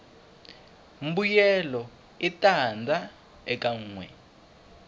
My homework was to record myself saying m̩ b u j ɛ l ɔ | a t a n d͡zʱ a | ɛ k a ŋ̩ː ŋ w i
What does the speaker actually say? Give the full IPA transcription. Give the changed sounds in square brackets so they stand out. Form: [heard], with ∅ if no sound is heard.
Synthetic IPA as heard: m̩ b u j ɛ l ɔ | [i] t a n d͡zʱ a | ɛ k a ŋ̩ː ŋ w [ɛ]